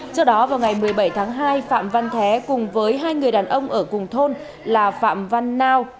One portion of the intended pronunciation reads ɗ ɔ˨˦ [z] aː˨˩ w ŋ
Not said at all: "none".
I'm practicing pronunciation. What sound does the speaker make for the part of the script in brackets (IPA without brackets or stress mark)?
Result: v